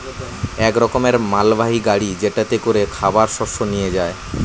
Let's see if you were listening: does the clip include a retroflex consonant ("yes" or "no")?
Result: yes